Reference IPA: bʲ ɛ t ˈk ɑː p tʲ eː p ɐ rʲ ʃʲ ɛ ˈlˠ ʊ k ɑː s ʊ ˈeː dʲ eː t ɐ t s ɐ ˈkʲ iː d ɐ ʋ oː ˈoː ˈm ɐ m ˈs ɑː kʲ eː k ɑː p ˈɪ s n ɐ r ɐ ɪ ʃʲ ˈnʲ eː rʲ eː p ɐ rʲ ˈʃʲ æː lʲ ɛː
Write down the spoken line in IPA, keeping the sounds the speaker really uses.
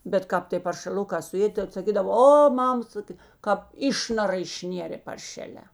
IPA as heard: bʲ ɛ t ˈk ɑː p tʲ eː p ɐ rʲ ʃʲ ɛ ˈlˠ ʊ k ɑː s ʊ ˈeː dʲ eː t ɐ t s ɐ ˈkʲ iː d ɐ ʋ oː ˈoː ˈm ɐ m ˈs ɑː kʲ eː k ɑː p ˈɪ ʃ n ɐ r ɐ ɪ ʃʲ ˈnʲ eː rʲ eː p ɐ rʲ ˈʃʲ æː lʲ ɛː